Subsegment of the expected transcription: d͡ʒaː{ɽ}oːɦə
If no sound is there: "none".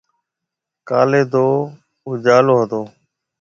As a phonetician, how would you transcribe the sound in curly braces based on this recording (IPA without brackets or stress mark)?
l